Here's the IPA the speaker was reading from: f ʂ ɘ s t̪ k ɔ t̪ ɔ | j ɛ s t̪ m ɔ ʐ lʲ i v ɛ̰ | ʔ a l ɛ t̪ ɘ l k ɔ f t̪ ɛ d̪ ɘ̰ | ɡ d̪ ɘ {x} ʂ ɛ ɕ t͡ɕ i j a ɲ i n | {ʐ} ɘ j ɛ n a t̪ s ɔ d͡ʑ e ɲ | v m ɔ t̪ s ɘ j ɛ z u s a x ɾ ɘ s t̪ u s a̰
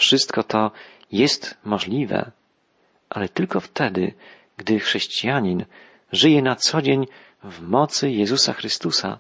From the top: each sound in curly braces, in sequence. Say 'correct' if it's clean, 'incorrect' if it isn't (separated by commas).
correct, correct